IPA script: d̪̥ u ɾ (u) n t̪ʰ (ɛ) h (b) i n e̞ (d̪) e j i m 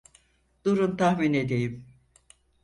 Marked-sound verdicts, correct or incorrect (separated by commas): correct, incorrect, incorrect, correct